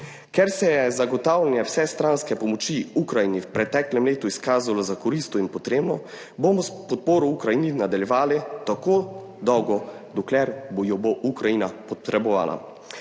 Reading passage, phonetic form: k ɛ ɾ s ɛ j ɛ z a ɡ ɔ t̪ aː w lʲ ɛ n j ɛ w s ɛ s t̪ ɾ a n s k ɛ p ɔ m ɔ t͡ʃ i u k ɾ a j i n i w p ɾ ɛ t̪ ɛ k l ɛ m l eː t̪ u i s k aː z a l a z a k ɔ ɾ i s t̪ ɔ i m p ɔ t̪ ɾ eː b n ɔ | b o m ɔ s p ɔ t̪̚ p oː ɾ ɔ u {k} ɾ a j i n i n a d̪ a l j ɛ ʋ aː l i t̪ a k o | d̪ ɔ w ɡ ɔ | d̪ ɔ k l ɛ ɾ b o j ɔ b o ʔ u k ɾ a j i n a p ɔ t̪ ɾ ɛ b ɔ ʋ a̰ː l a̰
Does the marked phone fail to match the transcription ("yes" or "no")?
no